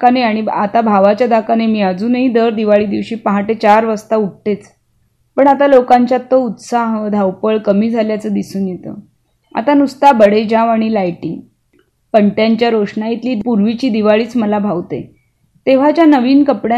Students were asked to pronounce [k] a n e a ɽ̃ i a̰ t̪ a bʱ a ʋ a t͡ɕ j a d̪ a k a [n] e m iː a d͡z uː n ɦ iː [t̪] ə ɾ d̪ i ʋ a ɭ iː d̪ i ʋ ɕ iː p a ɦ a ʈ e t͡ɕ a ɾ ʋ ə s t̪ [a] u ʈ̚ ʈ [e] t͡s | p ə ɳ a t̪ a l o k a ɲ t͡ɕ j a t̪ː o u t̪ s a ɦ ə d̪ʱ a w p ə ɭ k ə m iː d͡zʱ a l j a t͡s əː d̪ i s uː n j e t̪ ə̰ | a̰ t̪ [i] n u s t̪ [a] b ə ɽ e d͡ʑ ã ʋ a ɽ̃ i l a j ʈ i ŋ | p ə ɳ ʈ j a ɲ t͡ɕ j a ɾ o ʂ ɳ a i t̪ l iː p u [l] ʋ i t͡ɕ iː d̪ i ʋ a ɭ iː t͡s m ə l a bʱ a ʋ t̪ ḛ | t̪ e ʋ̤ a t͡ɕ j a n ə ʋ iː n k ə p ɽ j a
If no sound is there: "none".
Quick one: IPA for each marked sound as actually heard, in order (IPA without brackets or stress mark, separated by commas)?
k, n, d̪, a, e, a, a, ɾ